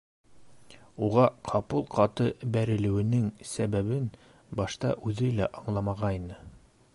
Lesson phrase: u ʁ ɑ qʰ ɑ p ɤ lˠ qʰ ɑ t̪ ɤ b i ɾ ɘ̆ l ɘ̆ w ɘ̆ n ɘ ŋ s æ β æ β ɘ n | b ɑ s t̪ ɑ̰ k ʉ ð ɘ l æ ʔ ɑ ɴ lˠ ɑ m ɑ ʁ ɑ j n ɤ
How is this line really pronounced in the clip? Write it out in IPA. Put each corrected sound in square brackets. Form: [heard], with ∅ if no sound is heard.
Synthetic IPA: u ʁ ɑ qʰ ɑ p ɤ lˠ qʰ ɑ t̪ ɤ b [æ] ɾ ɘ̆ l ɘ̆ w ɘ̆ n ɘ ŋ s æ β æ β ɘ n | b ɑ [ʃ] t̪ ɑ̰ [ʔ] ʉ ð ɘ l æ ʔ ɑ ɴ lˠ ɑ m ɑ ʁ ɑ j n ɤ